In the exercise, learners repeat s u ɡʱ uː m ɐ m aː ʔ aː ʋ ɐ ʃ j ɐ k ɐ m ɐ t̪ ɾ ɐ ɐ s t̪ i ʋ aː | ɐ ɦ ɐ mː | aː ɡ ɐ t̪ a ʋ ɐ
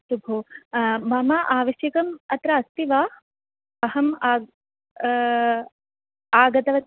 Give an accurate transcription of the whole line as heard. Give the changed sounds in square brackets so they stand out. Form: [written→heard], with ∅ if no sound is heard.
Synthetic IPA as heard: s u [ɡʱ→bʱ] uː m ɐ m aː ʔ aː ʋ ɐ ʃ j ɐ k ɐ m ɐ t̪ ɾ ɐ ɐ s t̪ i ʋ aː | ɐ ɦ ɐ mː | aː ɡ ɐ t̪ [a→ɐ] ʋ ɐ